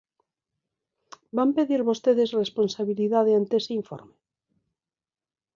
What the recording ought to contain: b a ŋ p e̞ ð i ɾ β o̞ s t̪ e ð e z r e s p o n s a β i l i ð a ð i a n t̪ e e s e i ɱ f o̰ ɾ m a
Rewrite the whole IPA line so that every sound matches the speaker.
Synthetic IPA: b a m p e̞ ð i ɾ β o̞ s t̪ e ð e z r e s p o n s a β i l i ð a ð e a n t̪ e e s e i ɱ f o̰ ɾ m e

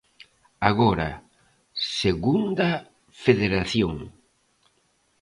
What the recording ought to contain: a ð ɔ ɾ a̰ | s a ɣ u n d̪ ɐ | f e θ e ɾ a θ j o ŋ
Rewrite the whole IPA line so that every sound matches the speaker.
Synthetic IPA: a ɣ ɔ ɾ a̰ | s e ɣ u n d̪ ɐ | f e ð e ɾ a θ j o ŋ

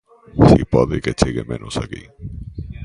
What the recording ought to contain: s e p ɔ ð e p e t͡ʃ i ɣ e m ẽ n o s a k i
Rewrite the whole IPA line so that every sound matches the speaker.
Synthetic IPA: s i p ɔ ð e k e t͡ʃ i ɣ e m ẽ n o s a k i

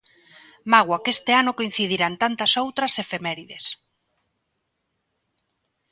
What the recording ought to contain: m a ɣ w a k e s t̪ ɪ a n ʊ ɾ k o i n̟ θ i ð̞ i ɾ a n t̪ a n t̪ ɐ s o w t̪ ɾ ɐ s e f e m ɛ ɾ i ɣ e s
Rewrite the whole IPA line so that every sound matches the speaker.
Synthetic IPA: m a ɣ w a k e s t̪ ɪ a n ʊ k o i n̟ θ i ð̞ i ɾ a n t̪ a n t̪ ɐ s o w t̪ ɾ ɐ s e f e m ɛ ɾ i ð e s

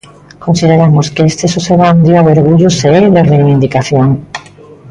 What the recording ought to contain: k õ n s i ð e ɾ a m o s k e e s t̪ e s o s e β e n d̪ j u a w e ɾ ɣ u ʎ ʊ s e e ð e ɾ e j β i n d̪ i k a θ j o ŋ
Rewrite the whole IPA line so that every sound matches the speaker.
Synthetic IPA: k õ n s i ð e ɾ a m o s k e e s t̪ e s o s e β a n d̪ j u a w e ɾ ɣ u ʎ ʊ s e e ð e r e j β i n d̪ i k a θ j o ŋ

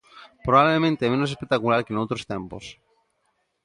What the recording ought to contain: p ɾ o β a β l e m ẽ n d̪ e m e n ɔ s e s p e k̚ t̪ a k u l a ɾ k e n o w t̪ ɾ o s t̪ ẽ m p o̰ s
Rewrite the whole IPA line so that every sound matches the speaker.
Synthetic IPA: p ɾ o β a β l e m ẽ n t̪ e m e n o s e s p e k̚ t̪ a k u l a ɾ k e n o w t̪ ɾ o s t̪ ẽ m p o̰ s

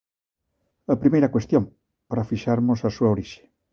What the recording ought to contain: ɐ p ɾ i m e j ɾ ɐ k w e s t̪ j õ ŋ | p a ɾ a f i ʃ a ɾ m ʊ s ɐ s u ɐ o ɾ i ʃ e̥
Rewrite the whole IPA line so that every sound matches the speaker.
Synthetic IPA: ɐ p ɾ i m e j ɾ ɐ k w e s t̪ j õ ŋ | p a ɾ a f i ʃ a ɾ m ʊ s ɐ s u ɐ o ɾ i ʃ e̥

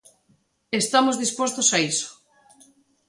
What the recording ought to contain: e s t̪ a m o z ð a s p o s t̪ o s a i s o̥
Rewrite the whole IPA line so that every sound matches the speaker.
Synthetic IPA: e s t̪ a m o z ð i s p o s t̪ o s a i s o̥

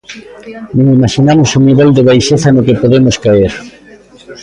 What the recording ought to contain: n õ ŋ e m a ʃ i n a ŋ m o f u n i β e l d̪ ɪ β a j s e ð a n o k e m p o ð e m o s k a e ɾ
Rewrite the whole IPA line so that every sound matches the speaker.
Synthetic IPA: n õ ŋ i m a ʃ i n a m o s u n i β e l d̪ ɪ β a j ʃ e θ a n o k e p o ð e m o s k a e ɾ

